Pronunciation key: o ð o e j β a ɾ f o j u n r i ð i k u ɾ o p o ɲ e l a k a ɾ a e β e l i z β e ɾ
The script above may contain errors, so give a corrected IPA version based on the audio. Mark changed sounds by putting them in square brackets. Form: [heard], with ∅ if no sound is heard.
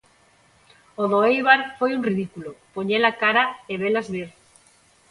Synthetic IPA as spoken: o ð o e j β a ɾ f o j u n r i ð i k u [l] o p o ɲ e l a k a ɾ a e β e l [a] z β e ɾ